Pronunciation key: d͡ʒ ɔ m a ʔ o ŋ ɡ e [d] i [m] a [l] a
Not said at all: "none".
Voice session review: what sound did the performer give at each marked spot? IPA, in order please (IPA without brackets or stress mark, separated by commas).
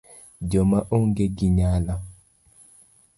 ɡ, ɲ, l